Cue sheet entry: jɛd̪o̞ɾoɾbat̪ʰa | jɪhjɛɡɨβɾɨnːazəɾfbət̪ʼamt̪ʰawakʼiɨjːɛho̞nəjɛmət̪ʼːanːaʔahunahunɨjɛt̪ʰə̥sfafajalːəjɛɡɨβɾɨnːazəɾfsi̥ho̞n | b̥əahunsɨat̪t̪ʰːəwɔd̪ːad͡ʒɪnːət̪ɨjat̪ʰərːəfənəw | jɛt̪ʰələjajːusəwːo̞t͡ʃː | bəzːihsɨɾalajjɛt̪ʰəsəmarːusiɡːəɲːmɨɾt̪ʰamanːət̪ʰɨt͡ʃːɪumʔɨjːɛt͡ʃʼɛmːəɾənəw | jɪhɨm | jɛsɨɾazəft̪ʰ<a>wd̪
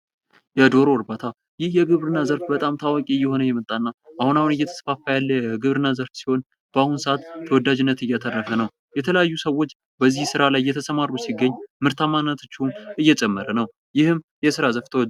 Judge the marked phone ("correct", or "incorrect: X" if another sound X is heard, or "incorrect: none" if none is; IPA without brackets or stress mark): incorrect: ə